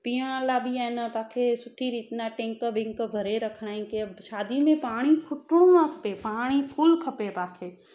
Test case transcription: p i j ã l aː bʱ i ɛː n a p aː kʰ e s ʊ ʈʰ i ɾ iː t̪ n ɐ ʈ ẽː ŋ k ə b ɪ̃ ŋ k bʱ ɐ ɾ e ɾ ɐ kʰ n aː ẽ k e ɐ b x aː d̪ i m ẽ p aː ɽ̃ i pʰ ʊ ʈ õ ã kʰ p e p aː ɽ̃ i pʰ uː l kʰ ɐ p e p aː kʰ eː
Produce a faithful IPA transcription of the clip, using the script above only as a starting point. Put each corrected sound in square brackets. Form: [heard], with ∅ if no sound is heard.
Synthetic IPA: p i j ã l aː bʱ i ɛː n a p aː kʰ e s ʊ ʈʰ i ɾ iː t̪ n [a] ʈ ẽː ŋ k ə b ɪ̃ ŋ k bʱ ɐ ɾ e ɾ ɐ kʰ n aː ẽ k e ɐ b [ʃ] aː d̪ i m ẽ p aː ɽ̃ i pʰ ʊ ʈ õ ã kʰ p e p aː ɽ̃ i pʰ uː l kʰ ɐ p e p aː kʰ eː